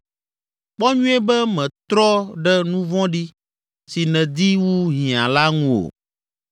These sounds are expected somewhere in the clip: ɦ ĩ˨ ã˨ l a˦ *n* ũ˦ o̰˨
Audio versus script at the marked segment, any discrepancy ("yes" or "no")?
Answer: yes